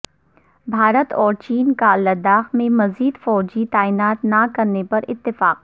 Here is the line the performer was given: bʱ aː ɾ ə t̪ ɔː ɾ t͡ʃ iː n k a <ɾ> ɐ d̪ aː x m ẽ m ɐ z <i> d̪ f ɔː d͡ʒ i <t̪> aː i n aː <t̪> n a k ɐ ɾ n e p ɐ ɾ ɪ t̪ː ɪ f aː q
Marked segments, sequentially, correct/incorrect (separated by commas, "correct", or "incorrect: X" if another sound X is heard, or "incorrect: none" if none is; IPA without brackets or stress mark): incorrect: l, incorrect: iː, correct, correct